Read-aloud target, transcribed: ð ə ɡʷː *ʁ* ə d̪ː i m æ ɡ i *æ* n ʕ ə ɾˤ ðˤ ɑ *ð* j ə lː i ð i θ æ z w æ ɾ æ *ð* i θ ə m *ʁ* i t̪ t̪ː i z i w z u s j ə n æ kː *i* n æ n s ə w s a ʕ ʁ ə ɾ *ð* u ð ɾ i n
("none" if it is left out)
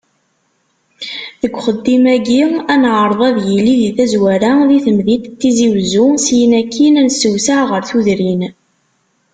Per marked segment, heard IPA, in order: χ, æ, ð, ð, ð, i, θ

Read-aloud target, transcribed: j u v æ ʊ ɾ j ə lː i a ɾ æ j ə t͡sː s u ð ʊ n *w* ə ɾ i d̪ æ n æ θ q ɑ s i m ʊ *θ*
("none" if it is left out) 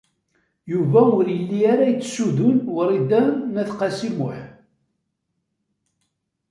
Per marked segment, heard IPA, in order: w, ħ

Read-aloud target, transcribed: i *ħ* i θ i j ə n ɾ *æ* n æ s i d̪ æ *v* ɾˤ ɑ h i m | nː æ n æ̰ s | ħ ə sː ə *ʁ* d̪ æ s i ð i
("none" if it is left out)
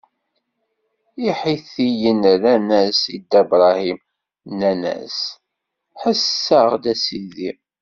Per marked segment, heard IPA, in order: ħ, æ, b, ʁ

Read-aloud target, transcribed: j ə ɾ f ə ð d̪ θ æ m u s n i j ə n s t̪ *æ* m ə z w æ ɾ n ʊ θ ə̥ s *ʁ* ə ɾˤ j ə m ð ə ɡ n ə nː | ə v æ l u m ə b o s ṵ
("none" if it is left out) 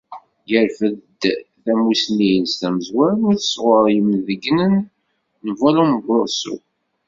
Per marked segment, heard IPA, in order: æ, ʁ

